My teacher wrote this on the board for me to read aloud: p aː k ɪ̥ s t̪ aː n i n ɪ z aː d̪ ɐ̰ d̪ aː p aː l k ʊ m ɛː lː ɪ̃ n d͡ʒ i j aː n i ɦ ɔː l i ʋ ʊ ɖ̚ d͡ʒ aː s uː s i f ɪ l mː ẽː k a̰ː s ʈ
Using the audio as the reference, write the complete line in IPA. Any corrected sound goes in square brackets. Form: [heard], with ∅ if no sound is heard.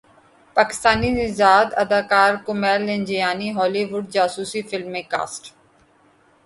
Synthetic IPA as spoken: p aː k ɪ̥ s t̪ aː n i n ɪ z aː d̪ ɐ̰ d̪ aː [k] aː [ɾ] k ʊ m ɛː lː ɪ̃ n d͡ʒ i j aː n i ɦ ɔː l i ʋ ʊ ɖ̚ d͡ʒ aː s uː s i f ɪ l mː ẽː k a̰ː s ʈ